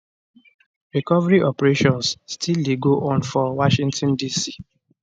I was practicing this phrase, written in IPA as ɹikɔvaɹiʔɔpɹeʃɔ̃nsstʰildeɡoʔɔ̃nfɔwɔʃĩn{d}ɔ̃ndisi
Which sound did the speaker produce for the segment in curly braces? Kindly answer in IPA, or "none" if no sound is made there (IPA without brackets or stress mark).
t